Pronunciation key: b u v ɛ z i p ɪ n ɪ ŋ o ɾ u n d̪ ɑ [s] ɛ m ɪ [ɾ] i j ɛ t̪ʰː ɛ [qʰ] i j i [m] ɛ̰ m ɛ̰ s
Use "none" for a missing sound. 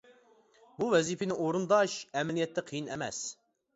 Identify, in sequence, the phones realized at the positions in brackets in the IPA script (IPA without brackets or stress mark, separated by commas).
ʃ, l, qʰ, n